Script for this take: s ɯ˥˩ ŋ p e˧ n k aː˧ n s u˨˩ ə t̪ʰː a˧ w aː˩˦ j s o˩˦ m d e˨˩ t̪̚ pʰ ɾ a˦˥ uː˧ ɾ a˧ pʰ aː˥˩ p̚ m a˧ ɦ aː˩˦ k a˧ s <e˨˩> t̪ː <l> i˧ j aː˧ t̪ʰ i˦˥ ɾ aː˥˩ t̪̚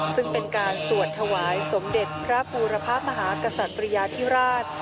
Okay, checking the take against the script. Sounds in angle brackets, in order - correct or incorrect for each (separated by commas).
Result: incorrect, incorrect